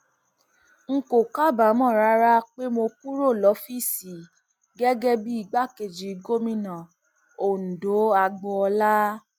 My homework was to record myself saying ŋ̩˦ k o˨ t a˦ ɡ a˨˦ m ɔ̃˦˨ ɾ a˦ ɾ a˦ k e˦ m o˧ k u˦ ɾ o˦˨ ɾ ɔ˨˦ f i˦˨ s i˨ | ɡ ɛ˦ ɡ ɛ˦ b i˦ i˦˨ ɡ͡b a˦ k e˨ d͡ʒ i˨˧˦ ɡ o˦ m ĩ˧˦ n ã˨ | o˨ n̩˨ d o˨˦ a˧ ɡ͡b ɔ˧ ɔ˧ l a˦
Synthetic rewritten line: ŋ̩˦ k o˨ k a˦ b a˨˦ m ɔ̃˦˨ ɾ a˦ ɾ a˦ k͡p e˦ m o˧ k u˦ ɾ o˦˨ l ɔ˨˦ f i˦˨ s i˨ | ɡ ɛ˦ ɡ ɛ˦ b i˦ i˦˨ ɡ͡b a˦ k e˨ d͡ʒ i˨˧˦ ɡ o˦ m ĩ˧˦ n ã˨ | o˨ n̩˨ d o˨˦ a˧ ɡ͡b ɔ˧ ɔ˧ l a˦